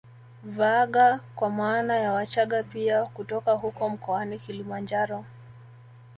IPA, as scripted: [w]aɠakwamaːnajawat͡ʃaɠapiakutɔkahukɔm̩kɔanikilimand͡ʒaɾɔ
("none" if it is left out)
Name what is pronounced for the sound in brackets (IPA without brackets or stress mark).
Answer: v